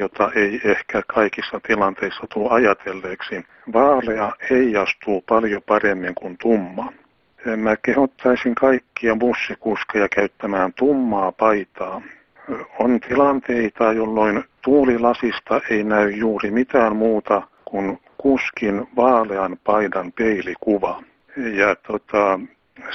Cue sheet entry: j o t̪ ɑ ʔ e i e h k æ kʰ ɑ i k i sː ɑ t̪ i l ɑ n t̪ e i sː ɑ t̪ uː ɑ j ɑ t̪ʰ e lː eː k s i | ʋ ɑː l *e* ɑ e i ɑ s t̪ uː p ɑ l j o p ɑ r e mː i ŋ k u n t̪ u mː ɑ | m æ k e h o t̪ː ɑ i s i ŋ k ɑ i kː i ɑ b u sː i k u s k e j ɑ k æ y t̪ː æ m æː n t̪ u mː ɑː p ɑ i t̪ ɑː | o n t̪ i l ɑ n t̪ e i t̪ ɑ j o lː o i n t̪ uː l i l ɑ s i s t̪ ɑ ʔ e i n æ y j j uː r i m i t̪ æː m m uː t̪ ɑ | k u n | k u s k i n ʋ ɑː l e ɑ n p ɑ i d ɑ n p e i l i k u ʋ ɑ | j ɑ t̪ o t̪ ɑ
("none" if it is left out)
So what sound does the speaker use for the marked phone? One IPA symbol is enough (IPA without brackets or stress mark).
e